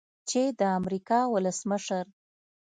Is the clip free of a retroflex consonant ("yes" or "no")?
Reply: yes